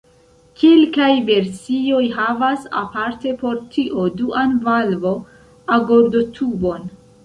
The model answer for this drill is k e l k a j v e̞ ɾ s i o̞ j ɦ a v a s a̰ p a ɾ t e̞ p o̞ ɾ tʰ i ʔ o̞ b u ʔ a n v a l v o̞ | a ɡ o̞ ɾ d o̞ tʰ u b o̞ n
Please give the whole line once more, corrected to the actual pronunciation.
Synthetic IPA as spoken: k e l k a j v e̞ ɾ s i o̞ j ɦ a v a s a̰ p a ɾ t e̞ p o̞ ɾ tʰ i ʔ o̞ d u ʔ a n v a l v o̞ | a ɡ o̞ ɾ d o̞ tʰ u b o̞ n